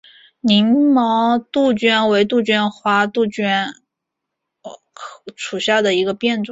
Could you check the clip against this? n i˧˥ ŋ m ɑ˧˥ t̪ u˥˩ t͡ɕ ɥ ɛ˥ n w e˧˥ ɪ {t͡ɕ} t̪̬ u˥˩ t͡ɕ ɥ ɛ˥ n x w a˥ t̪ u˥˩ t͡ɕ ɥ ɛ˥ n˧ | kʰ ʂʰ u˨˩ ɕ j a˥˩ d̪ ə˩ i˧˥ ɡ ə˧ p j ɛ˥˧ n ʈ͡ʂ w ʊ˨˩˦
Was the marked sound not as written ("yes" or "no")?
yes